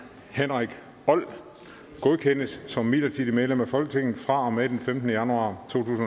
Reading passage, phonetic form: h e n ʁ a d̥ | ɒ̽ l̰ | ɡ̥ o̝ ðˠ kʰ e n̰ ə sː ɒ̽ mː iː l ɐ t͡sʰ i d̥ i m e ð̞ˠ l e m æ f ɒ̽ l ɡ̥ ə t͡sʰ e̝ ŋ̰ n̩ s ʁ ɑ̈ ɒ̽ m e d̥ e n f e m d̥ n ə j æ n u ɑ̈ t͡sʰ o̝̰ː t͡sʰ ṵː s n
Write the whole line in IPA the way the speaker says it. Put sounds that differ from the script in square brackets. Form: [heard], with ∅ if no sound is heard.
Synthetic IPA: h e n ʁ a [ɡ̥] | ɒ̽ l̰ | ɡ̥ o̝ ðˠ kʰ e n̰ ə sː ɒ̽ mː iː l ɐ t͡sʰ i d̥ i m e ð̞ˠ l e m æ f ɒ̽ l ɡ̥ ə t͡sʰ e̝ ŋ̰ n̩ [f] ʁ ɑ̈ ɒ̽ m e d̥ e n f e m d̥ n ə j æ n u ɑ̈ t͡sʰ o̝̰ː t͡sʰ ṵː s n